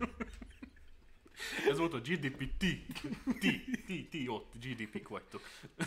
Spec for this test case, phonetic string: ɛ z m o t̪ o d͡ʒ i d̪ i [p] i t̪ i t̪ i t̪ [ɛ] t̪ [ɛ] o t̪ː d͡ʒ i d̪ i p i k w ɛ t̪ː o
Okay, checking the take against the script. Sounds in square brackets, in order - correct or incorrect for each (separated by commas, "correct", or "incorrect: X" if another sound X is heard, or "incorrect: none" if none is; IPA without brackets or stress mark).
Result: correct, incorrect: i, incorrect: i